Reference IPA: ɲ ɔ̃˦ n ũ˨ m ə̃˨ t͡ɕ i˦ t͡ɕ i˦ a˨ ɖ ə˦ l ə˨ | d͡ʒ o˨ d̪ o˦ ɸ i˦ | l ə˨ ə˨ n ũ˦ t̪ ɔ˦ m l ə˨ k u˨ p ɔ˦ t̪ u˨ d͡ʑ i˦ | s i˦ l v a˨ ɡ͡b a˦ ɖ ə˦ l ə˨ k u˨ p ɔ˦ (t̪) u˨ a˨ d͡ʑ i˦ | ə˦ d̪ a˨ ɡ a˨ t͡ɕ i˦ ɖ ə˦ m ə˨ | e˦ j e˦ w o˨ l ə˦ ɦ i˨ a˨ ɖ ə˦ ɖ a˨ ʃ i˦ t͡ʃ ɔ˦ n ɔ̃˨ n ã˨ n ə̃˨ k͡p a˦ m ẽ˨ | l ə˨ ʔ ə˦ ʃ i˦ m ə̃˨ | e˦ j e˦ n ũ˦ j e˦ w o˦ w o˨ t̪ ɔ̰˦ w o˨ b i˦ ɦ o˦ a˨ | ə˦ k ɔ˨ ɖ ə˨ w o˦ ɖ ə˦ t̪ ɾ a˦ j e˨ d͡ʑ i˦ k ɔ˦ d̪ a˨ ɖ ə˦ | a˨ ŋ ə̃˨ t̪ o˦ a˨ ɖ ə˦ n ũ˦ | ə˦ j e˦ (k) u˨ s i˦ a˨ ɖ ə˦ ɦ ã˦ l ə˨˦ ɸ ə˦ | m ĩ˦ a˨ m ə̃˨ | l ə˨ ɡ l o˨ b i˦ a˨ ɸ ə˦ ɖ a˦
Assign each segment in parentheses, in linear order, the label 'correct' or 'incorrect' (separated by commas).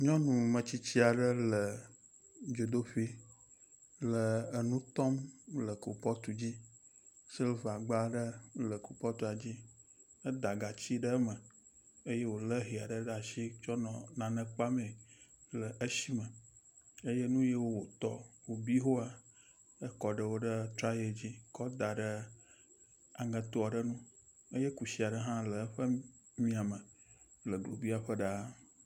correct, correct